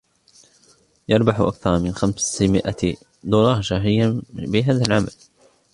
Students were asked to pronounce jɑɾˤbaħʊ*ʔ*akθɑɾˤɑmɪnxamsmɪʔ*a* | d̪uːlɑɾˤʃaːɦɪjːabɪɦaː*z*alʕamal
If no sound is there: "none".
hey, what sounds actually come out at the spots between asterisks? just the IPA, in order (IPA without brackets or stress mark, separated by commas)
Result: ʔ, a, ð